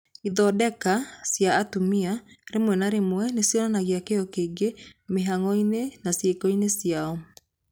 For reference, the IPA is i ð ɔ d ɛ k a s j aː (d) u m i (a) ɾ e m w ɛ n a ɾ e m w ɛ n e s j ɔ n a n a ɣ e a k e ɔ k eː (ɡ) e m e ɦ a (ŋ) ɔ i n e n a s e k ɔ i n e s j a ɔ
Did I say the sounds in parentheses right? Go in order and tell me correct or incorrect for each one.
incorrect, correct, correct, correct

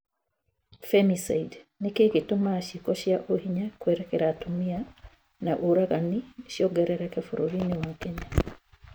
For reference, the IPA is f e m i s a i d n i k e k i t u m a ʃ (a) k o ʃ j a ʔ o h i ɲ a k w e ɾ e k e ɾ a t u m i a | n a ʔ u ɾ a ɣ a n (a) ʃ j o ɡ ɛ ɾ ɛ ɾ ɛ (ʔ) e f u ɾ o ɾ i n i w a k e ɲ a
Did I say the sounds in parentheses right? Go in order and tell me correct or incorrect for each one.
incorrect, incorrect, incorrect

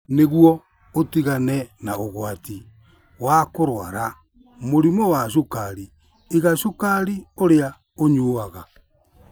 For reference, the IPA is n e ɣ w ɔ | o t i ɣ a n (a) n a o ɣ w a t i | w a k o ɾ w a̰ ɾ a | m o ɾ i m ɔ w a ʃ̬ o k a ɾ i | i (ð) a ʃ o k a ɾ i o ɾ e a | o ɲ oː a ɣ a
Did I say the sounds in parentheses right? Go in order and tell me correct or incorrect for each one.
incorrect, incorrect

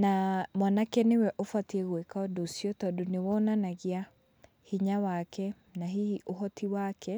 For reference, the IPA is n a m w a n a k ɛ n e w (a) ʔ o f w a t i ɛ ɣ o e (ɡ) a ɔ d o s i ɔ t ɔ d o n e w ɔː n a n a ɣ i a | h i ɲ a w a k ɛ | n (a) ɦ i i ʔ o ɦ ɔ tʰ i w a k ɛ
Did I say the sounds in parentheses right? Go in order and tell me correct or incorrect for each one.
incorrect, incorrect, correct

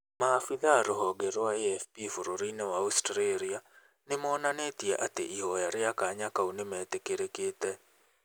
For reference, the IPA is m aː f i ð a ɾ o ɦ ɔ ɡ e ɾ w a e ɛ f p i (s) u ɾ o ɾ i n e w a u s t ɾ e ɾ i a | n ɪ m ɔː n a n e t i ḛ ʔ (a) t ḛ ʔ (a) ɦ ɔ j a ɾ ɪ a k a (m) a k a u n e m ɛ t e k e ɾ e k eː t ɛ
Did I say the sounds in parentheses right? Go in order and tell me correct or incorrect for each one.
incorrect, correct, incorrect, incorrect

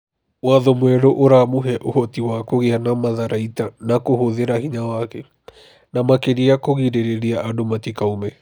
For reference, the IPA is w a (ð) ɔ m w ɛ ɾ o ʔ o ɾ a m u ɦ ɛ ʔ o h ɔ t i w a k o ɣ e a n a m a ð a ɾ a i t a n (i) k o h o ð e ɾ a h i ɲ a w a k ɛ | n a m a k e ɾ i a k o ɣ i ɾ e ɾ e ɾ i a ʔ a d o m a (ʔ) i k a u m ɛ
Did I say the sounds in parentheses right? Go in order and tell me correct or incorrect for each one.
correct, incorrect, incorrect

